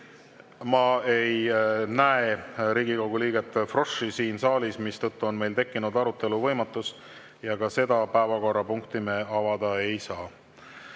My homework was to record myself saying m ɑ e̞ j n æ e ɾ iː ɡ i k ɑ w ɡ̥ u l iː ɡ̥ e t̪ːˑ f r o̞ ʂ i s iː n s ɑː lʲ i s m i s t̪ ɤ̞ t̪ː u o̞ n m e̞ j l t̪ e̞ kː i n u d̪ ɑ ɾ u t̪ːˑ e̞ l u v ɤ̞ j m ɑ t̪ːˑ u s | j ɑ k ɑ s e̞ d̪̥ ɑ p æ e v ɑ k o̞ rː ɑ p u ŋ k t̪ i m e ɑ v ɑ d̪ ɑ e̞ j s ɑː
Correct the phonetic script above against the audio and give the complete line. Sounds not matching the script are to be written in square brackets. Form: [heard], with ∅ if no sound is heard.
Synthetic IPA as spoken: m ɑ e̞ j n æ e ɾ iː ɡ i k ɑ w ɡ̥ u l iː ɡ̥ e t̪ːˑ f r o̞ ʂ i s iː n s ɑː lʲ i s m i s t̪ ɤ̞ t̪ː u o̞ n m e̞ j l t̪ e̞ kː i n u d̪ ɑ ɾ u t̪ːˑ e̞ l u v ɤ̞ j m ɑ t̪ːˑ u s | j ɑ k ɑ s e̞ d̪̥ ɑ p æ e v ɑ k o̞ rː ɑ p u ŋ k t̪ i m e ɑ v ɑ d̪ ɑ e̞ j s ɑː

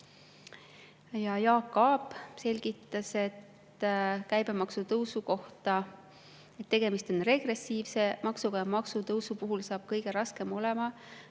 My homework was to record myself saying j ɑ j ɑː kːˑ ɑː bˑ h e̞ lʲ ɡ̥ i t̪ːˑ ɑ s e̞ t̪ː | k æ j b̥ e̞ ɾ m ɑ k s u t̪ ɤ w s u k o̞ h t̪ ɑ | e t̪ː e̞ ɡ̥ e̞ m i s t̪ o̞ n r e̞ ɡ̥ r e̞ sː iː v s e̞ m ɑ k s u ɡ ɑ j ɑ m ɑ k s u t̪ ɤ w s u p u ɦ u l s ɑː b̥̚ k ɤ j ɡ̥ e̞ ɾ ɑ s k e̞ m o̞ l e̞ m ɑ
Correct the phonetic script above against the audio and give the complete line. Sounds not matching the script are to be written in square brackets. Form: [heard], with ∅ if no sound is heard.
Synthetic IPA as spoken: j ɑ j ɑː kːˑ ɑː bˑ [s] e̞ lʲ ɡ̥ i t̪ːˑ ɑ s e̞ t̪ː | k æ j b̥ e̞ [∅] m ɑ k s u t̪ ɤ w s u k o̞ h t̪ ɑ | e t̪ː e̞ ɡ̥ e̞ m i s t̪ o̞ n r e̞ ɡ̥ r e̞ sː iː v s e̞ m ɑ k s u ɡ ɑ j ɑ m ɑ k s u t̪ ɤ w s u p u ɦ u l s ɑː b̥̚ k ɤ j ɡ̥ e̞ ɾ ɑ s k e̞ m o̞ l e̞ m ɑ

